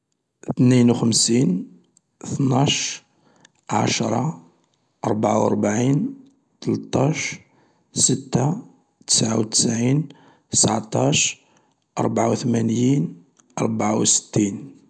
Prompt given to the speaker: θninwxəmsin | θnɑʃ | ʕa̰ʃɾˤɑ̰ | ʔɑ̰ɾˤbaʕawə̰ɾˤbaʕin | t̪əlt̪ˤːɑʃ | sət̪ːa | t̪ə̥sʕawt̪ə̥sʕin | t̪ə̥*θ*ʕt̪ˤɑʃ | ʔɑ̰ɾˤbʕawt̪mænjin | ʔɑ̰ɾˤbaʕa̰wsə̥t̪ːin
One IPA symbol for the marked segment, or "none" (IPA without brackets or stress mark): s